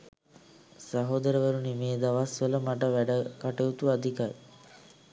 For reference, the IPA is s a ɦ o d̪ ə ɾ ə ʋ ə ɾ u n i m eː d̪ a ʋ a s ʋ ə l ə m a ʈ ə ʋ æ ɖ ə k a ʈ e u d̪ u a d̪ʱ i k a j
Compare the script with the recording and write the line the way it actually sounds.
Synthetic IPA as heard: s a ɦ o d̪ ə ɾ ə ʋ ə ɾ u n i m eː d̪ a ʋ a s ʋ ə l ə m a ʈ ə ʋ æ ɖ ə k a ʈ e u t̪ u a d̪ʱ i k a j